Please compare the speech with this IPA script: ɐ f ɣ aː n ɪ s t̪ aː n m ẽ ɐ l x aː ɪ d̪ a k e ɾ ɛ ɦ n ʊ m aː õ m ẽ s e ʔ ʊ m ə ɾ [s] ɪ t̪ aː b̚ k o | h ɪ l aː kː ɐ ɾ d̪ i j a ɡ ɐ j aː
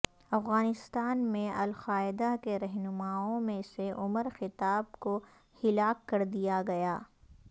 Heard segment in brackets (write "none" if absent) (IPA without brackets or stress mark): x